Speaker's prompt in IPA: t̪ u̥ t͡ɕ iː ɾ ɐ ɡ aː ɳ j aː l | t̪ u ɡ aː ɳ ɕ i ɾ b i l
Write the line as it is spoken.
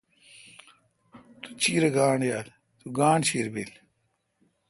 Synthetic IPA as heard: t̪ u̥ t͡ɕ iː ɾ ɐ ɡ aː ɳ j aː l | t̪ u ɡ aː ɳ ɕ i ɾ b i l